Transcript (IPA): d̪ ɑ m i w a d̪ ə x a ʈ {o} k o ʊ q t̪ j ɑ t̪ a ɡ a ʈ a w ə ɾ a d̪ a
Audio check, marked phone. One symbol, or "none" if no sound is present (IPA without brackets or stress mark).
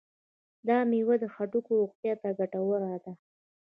u